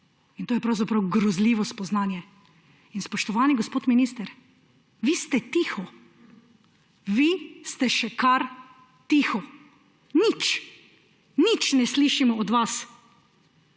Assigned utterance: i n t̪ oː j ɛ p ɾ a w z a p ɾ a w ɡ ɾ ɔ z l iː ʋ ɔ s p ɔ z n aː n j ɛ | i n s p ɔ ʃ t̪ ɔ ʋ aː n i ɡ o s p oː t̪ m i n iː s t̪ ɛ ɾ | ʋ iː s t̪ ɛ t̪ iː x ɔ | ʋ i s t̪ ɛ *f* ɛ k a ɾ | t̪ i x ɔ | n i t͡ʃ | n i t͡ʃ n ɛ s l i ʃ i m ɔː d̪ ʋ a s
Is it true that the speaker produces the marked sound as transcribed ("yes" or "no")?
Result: no